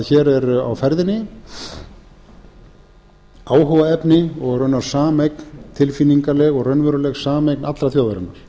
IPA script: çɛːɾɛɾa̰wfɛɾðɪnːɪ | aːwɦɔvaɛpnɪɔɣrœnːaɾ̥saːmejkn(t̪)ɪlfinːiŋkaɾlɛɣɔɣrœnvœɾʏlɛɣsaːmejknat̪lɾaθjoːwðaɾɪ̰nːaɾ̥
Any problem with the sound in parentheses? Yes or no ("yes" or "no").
yes